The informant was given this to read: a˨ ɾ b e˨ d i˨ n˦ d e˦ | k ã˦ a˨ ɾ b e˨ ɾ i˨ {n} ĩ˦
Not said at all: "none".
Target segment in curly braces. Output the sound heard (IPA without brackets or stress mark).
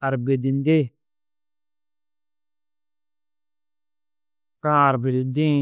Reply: d